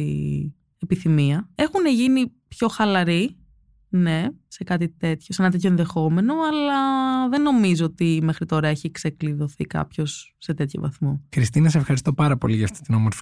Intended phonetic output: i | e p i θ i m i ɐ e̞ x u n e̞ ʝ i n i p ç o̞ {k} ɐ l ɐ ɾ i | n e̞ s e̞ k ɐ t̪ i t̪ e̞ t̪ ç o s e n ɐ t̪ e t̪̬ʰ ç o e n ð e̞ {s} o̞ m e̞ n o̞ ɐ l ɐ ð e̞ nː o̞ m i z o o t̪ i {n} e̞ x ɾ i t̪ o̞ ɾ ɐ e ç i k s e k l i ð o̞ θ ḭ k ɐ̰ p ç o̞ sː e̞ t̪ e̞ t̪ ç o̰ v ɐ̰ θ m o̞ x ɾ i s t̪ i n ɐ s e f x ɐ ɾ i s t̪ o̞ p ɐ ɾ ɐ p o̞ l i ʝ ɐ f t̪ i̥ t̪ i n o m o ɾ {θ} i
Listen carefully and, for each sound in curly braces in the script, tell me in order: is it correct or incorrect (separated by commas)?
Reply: incorrect, incorrect, incorrect, incorrect